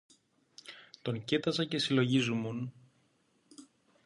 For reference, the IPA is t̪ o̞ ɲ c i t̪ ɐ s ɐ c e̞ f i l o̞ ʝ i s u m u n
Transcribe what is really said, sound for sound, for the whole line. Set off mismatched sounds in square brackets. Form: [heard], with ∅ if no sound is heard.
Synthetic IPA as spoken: t̪ o̞ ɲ c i t̪ ɐ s ɐ c e̞ [s] i l o̞ ʝ i [z] u m u n

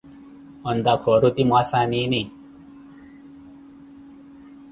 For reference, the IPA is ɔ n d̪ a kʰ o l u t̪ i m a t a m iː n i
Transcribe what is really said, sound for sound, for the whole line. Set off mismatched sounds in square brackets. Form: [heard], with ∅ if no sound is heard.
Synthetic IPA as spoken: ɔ n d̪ a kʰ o [ɾ] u t̪ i m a [s] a [n] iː n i

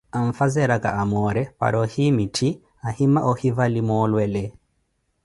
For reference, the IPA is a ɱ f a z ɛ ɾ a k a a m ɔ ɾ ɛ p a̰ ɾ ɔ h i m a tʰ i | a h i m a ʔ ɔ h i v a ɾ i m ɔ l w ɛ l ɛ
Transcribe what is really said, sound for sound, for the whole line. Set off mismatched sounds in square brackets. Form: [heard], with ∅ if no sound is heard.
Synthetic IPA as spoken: a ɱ f a z ɛ ɾ a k a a m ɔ ɾ ɛ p a̰ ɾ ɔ h i m [i] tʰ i | a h i m a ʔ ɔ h i v a [l] i m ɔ l w ɛ l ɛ

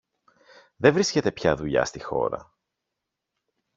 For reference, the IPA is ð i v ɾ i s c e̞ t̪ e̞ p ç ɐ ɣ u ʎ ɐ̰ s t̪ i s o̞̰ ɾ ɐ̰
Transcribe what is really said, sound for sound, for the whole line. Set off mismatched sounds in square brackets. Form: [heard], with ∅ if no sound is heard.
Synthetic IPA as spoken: ð [e] v ɾ i s c e̞ t̪ e̞ p ç ɐ [ð] u ʎ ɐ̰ s t̪ i [x] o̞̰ ɾ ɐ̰

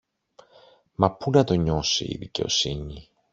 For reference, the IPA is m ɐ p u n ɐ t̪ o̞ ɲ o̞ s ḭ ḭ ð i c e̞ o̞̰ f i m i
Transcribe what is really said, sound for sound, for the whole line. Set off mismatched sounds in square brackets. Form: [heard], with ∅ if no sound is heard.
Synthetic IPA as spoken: m ɐ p u n ɐ t̪ o̞ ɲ o̞ s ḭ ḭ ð i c e̞ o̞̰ [s] i [ɲ] i

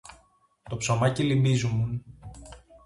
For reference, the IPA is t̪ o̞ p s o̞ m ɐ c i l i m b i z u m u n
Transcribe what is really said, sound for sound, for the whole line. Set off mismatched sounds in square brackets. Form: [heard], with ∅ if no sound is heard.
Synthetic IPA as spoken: t̪ o̞ p s o̞ m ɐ c i l i m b i z u m u n

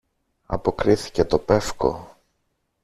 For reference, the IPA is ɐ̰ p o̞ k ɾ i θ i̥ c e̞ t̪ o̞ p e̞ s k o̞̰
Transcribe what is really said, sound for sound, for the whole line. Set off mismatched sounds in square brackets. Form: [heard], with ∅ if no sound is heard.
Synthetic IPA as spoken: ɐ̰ p o̞ k ɾ i θ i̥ c e̞ t̪ o̞ p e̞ [f] k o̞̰

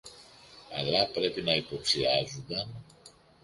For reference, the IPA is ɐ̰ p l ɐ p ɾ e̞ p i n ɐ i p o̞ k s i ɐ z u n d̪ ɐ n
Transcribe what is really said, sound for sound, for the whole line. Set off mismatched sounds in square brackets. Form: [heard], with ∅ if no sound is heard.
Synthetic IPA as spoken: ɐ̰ [∅] l ɐ p ɾ e̞ p i n ɐ i p o̞ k s i ɐ z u n d̪ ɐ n

